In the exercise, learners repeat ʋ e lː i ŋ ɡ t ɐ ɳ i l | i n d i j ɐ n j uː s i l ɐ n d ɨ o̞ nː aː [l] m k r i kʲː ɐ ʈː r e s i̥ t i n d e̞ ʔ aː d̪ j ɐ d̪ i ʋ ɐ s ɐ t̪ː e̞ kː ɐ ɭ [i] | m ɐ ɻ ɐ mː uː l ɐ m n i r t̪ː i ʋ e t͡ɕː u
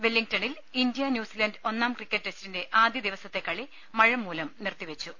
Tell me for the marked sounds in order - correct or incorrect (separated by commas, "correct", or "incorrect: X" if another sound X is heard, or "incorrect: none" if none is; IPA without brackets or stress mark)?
incorrect: none, correct